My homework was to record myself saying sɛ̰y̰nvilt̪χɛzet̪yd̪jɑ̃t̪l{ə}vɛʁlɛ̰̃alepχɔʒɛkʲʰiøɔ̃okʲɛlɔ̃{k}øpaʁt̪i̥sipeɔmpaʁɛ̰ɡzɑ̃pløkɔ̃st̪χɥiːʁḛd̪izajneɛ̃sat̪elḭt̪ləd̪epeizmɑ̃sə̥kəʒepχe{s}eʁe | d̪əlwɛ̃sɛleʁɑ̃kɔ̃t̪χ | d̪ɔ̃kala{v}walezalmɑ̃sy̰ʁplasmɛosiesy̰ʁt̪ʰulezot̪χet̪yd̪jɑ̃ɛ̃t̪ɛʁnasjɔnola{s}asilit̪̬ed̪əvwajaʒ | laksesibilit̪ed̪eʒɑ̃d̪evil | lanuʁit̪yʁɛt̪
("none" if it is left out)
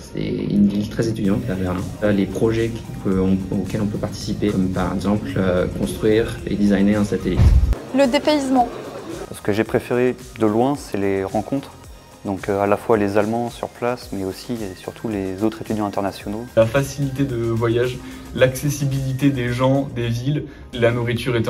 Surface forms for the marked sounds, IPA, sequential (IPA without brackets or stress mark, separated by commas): a, p, f, f, f